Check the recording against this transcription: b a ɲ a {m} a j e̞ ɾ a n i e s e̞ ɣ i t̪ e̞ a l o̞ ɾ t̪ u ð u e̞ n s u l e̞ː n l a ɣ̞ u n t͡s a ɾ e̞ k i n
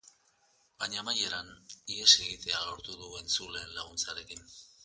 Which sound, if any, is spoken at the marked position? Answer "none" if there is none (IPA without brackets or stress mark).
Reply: m